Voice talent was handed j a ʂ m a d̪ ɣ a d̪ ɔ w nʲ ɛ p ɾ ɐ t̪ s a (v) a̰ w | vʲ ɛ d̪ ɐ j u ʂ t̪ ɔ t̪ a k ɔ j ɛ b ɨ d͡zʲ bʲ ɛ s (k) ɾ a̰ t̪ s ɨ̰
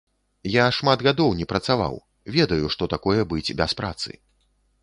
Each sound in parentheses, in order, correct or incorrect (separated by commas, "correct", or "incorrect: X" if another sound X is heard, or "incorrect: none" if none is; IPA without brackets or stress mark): correct, incorrect: p